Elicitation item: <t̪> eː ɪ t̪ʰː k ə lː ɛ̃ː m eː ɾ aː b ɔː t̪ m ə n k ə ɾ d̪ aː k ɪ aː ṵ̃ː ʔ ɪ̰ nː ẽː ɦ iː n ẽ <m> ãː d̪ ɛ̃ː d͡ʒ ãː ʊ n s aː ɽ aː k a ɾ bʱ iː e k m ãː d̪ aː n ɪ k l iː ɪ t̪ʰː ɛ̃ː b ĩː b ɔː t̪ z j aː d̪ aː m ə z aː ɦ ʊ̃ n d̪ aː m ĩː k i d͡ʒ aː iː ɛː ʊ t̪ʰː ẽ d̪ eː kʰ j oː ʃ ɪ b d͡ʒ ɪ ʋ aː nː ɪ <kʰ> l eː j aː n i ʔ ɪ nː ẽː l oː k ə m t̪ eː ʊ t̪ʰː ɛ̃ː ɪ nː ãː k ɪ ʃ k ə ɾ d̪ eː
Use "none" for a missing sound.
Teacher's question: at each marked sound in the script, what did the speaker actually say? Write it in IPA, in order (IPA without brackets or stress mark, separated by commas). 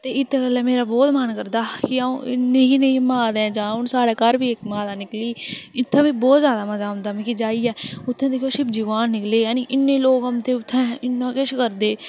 t̪, m, k